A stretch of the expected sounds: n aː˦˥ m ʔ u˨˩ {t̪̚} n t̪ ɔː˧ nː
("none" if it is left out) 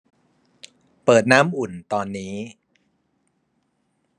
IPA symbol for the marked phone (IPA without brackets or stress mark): none